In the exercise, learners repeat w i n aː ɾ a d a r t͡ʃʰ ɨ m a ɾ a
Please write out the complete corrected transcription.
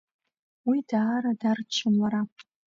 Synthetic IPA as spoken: w i d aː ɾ a d a r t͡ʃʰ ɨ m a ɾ a